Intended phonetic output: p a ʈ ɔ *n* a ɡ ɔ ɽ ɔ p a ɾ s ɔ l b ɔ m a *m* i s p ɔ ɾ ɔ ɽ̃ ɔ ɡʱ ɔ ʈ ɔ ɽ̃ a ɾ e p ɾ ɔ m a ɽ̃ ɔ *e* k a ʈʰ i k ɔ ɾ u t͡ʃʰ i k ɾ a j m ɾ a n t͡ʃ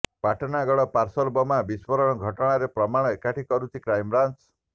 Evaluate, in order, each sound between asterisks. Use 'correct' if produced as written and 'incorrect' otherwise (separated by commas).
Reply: correct, incorrect, correct